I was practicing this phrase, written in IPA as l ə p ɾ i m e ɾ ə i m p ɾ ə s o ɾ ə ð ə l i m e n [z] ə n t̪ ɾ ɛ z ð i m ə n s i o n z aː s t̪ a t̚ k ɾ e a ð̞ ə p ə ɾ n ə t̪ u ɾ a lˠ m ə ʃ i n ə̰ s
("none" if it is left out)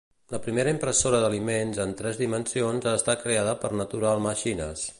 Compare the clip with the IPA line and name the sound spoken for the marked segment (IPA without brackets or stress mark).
z